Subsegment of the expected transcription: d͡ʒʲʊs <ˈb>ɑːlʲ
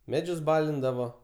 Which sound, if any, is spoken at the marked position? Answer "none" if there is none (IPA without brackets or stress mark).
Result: b